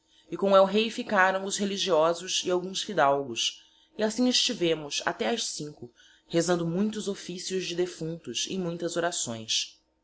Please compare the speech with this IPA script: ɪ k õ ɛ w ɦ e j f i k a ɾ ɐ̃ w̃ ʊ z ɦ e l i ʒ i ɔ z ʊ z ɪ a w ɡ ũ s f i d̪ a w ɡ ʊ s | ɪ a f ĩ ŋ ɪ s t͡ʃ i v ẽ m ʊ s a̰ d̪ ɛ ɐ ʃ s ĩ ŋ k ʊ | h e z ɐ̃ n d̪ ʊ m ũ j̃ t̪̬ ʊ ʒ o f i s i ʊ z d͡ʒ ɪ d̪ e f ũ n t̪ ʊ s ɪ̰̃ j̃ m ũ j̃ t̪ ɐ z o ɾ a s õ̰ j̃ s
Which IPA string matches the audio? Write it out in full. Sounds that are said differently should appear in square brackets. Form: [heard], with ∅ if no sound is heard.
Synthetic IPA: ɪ k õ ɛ w ɦ e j f i k a ɾ ɐ̃ w̃ ʊ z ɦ e l i ʒ i ɔ z ʊ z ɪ a w ɡ ũ s f i d̪ a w ɡ ʊ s | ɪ a [s] ĩ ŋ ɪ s t͡ʃ i v ẽ m ʊ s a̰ [t̪] ɛ ɐ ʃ s ĩ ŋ k ʊ | h e z ɐ̃ n d̪ ʊ m ũ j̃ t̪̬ ʊ [z] o f i s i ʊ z d͡ʒ ɪ d̪ e f ũ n t̪ ʊ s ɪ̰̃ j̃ m ũ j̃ t̪ ɐ z o ɾ a s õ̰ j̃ s